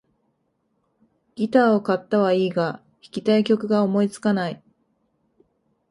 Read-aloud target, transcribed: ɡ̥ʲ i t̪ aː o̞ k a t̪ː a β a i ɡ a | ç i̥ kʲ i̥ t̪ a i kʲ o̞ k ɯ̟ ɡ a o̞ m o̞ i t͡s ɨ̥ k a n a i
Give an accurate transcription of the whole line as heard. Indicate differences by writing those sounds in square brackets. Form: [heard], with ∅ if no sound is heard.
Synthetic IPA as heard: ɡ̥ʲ i t̪ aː o̞ k a t̪ː a β a [iː] ɡ a | ç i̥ kʲ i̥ t̪ a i kʲ o̞ k ɯ̟ ɡ a o̞ m o̞ i t͡s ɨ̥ k a n a i